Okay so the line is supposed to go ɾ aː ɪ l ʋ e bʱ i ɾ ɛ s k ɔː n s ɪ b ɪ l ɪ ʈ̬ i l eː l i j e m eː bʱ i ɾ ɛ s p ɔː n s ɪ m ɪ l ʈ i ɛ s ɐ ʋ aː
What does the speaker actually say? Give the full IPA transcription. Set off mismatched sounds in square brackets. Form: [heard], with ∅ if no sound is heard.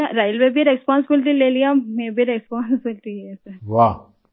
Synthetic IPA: ɾ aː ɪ l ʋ e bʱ i ɾ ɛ s [p] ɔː n s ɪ b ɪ l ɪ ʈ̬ i l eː l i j [a] m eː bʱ i ɾ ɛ s p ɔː n s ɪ [b] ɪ l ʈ i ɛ s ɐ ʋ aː